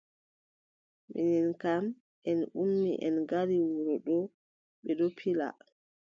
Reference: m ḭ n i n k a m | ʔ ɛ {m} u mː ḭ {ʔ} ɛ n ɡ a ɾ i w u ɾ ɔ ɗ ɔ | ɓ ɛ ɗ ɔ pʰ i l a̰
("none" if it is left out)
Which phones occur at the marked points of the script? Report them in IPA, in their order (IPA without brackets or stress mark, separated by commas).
n, ʔ